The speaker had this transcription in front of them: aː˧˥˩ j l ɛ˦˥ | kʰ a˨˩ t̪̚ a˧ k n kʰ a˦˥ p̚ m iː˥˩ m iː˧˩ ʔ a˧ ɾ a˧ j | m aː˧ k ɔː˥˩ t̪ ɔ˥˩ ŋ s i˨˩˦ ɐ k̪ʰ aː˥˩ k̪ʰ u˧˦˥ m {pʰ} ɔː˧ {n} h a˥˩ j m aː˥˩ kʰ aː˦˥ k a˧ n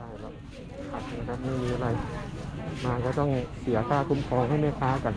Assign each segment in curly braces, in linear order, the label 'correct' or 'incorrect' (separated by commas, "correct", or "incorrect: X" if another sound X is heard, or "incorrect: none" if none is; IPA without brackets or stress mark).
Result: incorrect: kʰ, incorrect: ŋ